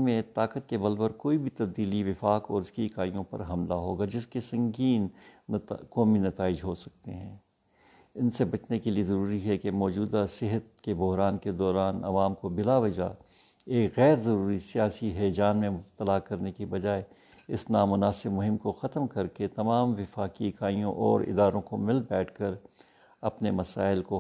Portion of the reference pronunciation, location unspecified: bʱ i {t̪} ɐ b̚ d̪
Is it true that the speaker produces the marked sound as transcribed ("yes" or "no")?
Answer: yes